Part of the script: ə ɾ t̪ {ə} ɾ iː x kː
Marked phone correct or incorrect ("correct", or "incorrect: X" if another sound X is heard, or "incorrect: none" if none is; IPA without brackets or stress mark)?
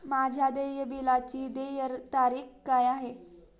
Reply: incorrect: a